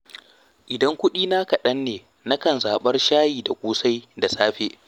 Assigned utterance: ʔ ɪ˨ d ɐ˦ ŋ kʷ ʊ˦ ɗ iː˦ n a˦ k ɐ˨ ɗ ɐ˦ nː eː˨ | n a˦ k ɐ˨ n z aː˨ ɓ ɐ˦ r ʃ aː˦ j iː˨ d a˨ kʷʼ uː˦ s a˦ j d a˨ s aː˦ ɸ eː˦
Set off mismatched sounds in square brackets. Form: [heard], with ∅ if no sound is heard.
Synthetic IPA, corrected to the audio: ʔ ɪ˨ d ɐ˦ ŋ kʷ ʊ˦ ɗ iː˦ n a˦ k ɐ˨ ɗ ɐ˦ nː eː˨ | n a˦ k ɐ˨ n z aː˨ ɓ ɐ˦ r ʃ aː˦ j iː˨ d a˨ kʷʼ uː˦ s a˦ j d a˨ s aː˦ ɸ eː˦

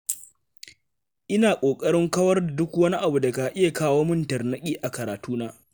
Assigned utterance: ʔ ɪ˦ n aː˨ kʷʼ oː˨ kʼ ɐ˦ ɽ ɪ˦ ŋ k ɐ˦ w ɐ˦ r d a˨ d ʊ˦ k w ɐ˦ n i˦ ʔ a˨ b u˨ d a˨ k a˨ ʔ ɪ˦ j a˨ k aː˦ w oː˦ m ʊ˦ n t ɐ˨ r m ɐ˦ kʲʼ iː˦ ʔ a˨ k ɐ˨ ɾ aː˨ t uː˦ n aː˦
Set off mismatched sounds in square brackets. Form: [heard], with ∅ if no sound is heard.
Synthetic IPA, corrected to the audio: ʔ ɪ˦ n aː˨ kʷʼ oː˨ kʼ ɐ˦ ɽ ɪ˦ ŋ k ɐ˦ w ɐ˦ r d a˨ d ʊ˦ k w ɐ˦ n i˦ ʔ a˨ b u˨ d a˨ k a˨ ʔ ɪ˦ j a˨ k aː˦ w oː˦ m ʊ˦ n t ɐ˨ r [n] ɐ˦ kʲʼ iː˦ ʔ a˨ k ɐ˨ ɾ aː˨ t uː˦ n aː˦

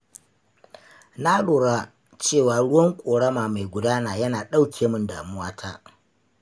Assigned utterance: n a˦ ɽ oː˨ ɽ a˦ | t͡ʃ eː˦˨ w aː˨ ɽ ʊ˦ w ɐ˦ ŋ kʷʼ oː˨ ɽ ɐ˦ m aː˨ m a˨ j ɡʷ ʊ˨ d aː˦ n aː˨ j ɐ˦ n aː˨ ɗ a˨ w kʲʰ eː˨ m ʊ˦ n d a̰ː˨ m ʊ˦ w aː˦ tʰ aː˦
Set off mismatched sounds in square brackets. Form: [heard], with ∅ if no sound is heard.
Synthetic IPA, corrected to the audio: n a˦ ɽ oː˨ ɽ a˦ | t͡ʃ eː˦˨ w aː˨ ɽ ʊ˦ w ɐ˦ ŋ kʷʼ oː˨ ɽ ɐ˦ m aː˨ m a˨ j ɡʷ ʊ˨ d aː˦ n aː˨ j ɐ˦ n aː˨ ɗ [a˦] w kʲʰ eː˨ m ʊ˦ n d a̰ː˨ m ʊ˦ w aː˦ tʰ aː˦

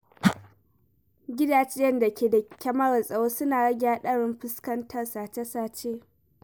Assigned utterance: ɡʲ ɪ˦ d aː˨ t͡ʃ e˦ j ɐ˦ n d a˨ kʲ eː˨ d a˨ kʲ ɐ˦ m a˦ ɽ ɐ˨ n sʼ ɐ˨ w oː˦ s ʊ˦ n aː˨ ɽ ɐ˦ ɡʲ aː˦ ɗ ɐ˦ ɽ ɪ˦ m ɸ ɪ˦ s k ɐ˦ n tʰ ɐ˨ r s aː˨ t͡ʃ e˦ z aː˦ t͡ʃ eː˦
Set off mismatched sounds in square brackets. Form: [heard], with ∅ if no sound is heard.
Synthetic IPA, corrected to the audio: ɡʲ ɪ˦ d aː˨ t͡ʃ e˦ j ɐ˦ n d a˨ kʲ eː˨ d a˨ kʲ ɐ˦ m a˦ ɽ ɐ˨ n sʼ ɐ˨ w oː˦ s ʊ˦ n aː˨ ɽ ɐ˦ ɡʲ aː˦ ɗ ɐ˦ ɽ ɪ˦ m ɸ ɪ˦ s k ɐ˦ n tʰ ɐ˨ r s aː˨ t͡ʃ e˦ [s] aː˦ t͡ʃ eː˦

